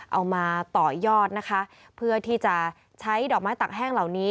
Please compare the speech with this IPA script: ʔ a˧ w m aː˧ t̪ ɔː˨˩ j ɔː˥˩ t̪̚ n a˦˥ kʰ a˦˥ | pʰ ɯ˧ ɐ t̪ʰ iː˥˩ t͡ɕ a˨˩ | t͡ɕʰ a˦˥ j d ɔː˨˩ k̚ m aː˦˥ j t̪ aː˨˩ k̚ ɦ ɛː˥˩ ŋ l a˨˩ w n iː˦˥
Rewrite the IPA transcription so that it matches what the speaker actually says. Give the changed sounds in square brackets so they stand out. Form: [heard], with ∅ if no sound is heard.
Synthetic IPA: ʔ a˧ w m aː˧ t̪ ɔː˨˩ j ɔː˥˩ t̪̚ n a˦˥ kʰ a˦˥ | pʰ [ɯ˥˩] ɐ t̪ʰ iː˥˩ t͡ɕ a˨˩ | t͡ɕʰ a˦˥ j d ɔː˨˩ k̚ m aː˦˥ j t̪ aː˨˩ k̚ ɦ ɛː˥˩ ŋ l a˨˩ w n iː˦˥